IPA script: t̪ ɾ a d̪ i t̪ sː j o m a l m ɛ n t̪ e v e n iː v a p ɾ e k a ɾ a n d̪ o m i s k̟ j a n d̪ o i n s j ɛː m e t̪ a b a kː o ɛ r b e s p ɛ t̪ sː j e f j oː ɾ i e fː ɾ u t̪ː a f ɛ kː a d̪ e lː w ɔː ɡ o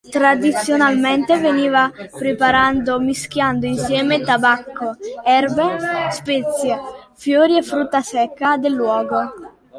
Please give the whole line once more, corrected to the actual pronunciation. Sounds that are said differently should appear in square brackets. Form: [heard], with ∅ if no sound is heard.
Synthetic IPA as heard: t̪ ɾ a d̪ i t̪ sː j o [n] a l m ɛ n t̪ e v e n iː v a p ɾ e [p] a ɾ a n d̪ o m i s k̟ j a n d̪ o i n s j ɛː m e t̪ a b a kː o ɛ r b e s p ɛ t̪ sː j e f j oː ɾ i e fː ɾ u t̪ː a [s] ɛ kː a d̪ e lː w ɔː ɡ o